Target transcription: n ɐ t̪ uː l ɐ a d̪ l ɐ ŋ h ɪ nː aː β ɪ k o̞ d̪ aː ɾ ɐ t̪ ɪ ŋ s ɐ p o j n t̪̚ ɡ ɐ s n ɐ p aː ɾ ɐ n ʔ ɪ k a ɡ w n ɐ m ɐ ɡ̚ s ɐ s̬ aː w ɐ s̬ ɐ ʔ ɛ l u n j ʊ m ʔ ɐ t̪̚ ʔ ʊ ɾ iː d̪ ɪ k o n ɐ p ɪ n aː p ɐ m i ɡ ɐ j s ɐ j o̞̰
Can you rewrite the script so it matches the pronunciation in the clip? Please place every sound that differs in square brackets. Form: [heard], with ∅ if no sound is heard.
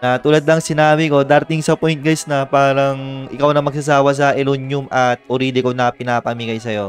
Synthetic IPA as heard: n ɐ t̪ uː l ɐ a d̪ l ɐ ŋ [s] ɪ [n] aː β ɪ k o̞ d̪ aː ɾ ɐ t̪ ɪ ŋ s ɐ p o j n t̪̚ ɡ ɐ s n ɐ p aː ɾ ɐ [ŋ] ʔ ɪ k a [∅] w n ɐ m ɐ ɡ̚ s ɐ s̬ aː w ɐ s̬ ɐ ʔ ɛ l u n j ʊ m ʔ ɐ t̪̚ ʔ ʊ ɾ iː d̪ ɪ k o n ɐ p ɪ n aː p ɐ m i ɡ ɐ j s ɐ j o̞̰